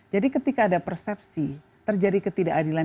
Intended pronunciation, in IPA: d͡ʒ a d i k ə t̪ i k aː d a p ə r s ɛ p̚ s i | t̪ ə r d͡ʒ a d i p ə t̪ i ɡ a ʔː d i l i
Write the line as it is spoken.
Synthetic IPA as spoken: d͡ʒ a d i k ə t̪ i k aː d a p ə r s ɛ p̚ s i | t̪ ə r d͡ʒ a d i k ə t̪ i d a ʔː d i l a